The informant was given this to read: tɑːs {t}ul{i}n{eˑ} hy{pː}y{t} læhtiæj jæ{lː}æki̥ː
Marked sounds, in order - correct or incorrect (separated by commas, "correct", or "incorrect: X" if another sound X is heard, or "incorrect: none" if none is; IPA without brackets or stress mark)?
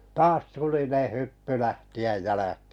correct, correct, correct, correct, incorrect: none, incorrect: l